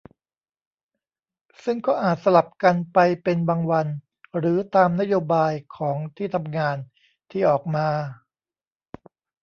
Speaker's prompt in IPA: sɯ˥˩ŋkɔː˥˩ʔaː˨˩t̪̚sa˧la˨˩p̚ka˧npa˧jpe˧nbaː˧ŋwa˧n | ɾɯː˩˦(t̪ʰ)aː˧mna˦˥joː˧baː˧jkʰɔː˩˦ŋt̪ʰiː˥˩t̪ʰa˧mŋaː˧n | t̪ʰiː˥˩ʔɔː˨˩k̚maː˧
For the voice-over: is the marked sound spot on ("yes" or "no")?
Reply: no